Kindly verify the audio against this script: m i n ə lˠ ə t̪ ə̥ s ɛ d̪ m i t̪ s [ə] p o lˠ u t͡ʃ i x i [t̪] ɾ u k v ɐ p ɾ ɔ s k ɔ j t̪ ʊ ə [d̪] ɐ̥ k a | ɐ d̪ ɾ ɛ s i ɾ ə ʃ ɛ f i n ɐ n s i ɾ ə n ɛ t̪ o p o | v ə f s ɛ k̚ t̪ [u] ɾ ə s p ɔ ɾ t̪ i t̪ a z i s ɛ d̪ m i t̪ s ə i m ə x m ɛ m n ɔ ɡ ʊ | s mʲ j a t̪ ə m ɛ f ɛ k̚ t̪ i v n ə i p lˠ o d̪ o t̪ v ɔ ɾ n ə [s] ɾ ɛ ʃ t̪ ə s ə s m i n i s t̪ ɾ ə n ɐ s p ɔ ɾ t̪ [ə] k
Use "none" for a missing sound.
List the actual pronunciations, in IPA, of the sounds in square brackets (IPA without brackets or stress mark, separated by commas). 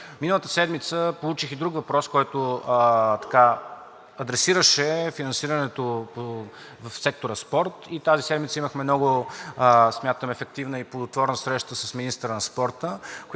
ə, d̪, t̪, o, s, ə